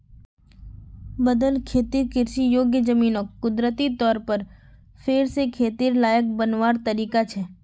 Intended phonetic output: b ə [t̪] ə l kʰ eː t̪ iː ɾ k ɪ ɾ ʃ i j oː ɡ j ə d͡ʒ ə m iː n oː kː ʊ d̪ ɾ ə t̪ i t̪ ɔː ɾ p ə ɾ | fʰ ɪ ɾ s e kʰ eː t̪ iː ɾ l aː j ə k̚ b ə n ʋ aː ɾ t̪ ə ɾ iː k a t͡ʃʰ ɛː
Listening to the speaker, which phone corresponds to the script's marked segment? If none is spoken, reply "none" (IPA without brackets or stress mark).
d̪